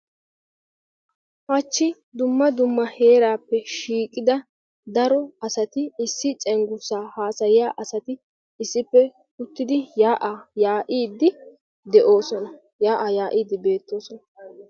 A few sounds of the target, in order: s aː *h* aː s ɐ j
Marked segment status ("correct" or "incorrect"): correct